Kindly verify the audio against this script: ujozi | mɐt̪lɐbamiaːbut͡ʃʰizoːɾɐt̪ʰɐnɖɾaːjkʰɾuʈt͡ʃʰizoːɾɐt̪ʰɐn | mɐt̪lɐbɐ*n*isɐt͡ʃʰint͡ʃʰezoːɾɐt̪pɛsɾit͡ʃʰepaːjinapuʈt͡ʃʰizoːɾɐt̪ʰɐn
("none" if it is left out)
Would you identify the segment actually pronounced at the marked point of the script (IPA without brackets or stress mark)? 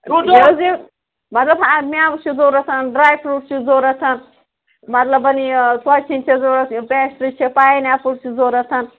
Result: n